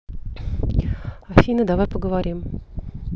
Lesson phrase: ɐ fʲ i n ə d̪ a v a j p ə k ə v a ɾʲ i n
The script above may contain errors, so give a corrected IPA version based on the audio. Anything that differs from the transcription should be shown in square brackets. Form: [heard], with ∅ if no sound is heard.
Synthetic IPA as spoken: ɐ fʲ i n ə d̪ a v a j p ə [ɡ] ə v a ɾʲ i [m]